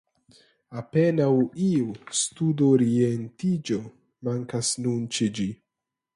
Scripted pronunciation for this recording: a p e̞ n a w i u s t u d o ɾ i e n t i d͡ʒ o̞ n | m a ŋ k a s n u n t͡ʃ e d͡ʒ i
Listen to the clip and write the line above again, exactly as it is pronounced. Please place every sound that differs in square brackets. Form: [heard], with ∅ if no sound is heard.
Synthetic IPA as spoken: a p e̞ n a w i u s t u d o ɾ i e n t i d͡ʒ o̞ [∅] | m a ŋ k a s n u n t͡ʃ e d͡ʒ i